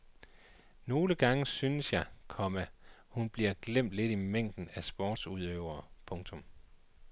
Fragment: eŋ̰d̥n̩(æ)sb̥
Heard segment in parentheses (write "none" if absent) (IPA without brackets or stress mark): æ